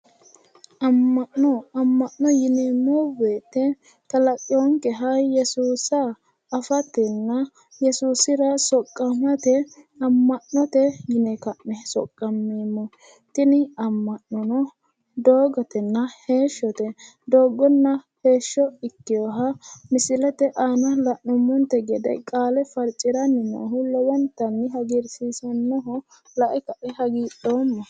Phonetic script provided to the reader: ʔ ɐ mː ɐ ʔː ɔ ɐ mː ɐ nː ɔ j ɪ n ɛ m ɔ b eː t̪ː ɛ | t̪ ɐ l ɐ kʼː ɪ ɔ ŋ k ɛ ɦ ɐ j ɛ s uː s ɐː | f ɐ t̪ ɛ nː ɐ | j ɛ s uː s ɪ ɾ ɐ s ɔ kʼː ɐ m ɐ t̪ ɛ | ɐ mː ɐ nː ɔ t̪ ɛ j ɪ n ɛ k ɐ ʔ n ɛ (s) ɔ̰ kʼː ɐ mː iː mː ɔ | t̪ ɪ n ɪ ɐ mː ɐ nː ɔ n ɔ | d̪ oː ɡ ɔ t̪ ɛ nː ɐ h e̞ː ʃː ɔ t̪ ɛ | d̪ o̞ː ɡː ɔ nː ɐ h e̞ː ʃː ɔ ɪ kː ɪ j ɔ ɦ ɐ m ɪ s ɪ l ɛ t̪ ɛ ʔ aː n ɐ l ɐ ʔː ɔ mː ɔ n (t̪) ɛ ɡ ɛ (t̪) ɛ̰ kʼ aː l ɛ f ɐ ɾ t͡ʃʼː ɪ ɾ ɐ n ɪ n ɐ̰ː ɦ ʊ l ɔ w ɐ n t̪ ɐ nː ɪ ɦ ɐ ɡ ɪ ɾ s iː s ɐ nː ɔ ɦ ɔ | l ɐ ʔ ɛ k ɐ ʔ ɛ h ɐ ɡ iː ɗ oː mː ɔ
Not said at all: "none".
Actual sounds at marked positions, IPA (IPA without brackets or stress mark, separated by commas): s, t̪, d̪